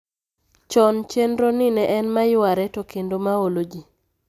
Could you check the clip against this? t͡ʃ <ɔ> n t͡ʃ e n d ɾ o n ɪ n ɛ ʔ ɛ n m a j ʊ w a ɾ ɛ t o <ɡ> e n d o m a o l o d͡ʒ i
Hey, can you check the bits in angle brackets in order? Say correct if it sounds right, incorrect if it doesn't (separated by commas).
correct, incorrect